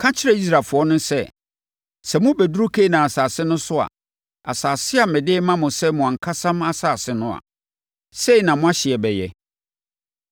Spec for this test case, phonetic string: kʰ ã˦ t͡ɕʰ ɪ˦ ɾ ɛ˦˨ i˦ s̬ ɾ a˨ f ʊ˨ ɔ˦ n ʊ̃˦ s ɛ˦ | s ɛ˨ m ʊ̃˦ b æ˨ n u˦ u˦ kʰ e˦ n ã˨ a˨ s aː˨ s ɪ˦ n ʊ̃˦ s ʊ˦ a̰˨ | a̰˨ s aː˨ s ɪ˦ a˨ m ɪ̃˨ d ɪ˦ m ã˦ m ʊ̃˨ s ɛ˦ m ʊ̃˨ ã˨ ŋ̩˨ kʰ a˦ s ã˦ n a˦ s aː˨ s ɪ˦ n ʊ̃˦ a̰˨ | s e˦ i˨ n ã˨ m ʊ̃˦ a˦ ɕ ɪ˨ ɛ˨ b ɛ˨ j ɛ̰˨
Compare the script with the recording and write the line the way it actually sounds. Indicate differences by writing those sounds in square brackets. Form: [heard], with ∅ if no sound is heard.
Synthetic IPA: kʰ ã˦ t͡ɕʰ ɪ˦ ɾ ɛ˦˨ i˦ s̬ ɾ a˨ f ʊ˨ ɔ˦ n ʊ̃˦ s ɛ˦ | s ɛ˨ m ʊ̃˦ b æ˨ [d] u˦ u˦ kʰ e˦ n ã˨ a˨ s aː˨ s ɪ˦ n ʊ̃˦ s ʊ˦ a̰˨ | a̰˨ s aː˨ s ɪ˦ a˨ m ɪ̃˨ d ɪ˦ m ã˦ m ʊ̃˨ s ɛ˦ m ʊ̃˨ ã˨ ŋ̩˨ kʰ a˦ s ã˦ [m] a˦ s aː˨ s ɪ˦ n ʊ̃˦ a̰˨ | s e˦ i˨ n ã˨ m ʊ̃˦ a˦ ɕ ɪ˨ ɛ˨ b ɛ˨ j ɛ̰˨